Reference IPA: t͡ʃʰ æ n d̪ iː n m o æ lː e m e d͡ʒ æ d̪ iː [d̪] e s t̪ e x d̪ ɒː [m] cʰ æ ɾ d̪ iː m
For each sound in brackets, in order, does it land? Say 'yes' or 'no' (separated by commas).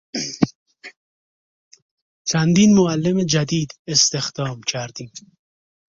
yes, yes